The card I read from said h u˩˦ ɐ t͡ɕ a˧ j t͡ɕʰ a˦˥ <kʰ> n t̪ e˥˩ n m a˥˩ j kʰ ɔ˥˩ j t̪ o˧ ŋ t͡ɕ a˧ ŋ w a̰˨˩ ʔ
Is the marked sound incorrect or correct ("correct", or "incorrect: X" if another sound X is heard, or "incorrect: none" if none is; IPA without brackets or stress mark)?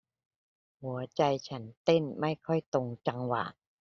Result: incorrect: none